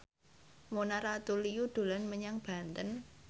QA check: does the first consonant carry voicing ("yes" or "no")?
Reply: yes